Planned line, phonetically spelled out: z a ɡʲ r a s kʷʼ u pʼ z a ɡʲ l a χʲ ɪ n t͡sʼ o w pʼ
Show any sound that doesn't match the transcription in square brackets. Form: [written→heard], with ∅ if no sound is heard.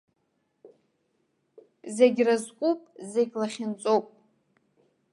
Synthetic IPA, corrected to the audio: z [a→e] ɡʲ r a [s→z] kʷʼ u pʼ z [a→e] ɡʲ l a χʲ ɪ n t͡sʼ o w pʼ